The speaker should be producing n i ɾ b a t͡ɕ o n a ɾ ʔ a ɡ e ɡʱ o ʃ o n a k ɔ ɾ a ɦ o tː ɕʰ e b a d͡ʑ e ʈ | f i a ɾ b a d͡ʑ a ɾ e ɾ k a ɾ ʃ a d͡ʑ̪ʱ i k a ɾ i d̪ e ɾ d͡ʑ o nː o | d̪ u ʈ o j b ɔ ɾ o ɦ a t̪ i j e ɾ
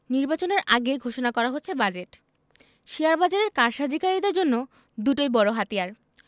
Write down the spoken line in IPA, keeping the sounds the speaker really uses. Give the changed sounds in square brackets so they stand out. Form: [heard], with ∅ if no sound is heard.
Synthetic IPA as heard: n i ɾ b a t͡ɕ o n [e] ɾ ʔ a ɡ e ɡʱ o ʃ o n a k ɔ ɾ a ɦ o tː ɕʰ e b a d͡ʑ e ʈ | [ʃ] i a ɾ b a d͡ʑ a ɾ e ɾ k a ɾ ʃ a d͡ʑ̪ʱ i k a ɾ i d̪ e ɾ d͡ʑ o nː o | d̪ u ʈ o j b ɔ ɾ o ɦ a t̪ i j [a] ɾ